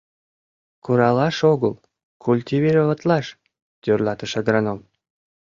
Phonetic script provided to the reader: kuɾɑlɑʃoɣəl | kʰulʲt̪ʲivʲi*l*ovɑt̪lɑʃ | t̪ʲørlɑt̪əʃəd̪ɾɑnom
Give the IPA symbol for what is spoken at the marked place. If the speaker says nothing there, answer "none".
ɾ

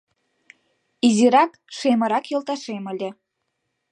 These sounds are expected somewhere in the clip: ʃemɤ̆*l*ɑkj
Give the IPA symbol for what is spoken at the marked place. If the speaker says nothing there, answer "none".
ɾ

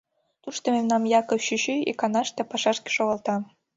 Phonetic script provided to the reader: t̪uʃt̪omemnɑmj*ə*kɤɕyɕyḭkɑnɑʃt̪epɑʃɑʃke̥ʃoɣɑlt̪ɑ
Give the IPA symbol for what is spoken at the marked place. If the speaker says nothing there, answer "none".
ɑ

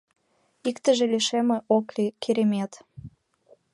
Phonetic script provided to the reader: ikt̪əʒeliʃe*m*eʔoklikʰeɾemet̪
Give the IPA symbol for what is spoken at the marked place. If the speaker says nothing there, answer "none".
m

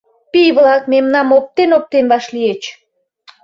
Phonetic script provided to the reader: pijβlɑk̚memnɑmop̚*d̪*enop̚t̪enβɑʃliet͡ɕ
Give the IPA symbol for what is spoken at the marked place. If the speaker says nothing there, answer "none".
t̪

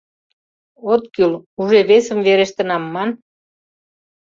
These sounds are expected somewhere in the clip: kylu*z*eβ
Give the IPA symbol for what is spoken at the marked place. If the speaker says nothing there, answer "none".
ʒ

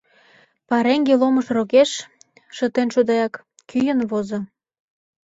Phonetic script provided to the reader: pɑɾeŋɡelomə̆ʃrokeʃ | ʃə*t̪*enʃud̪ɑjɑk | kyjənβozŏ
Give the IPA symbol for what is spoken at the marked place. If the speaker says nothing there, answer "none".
t̪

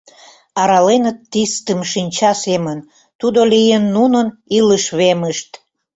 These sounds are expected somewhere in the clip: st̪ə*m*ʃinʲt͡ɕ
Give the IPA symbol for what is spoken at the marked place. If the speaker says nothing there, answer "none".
m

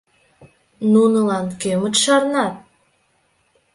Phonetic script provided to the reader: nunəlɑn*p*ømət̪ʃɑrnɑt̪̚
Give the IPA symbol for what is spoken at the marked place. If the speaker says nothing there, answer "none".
k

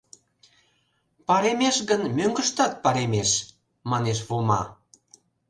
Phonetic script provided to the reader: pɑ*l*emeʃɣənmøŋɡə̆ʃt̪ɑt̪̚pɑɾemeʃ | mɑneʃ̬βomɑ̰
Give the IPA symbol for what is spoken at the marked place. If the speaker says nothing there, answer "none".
ɾ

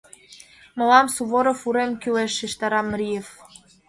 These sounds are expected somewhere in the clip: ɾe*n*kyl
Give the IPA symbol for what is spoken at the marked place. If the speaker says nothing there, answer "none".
m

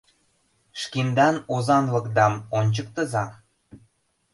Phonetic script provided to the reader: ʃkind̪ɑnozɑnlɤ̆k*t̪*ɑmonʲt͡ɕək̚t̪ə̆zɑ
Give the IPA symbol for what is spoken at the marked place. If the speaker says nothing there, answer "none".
d̪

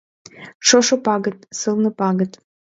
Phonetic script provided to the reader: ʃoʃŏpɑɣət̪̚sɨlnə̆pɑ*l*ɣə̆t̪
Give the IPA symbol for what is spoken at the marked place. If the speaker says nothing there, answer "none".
none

